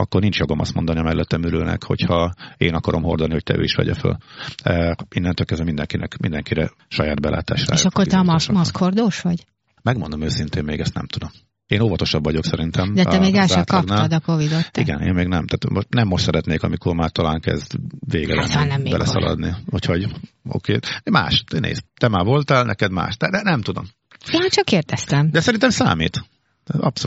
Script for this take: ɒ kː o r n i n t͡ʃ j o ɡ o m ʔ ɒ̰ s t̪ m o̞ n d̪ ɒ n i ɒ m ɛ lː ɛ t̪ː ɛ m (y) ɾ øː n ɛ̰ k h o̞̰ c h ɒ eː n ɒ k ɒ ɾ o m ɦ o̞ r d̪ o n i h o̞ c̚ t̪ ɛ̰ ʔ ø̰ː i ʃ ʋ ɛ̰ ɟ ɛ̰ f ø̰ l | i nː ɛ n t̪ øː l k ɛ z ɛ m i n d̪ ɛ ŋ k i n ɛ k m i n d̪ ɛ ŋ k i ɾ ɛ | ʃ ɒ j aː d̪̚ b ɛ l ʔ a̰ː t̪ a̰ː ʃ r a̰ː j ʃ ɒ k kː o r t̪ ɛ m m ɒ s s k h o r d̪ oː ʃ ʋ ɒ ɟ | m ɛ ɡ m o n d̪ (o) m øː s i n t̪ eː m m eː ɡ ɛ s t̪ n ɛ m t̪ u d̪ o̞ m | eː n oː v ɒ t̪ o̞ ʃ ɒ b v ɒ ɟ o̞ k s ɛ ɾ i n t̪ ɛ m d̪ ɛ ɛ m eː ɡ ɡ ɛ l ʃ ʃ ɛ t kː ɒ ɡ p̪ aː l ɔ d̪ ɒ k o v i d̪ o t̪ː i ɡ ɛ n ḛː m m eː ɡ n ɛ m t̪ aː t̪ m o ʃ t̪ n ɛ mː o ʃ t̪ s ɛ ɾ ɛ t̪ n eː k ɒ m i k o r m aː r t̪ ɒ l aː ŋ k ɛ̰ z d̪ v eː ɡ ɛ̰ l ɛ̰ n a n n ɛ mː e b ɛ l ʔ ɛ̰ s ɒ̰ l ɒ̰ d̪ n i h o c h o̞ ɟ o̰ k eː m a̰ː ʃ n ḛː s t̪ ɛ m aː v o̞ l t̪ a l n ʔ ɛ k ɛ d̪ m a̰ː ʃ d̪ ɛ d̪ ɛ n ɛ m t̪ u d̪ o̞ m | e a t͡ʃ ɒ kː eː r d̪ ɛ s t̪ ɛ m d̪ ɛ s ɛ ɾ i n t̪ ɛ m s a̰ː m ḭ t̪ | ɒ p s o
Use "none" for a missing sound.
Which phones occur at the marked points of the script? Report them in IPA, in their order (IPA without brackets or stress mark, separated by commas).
y, o